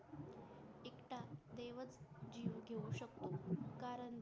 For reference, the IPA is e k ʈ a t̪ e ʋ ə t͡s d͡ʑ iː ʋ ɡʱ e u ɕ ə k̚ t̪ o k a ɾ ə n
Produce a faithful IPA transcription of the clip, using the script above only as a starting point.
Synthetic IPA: e k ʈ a d̪ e ʋ ə t͡s d͡ʑ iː ʋ ɡʱ e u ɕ ə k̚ t̪ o k a ɾ ə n